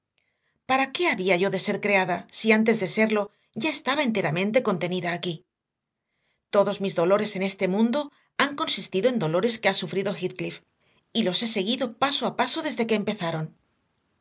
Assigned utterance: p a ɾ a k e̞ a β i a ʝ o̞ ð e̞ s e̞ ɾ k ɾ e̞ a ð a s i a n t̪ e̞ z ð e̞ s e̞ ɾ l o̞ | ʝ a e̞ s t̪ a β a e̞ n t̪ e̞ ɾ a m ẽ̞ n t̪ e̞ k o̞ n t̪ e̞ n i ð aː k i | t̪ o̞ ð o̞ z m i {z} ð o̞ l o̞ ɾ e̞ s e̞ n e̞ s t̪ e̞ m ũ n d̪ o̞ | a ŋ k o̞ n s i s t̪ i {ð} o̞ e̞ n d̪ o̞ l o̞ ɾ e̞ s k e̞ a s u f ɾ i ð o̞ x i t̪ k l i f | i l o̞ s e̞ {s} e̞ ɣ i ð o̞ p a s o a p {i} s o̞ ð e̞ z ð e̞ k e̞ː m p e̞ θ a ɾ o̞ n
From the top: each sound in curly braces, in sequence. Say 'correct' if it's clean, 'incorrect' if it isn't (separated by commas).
correct, correct, correct, incorrect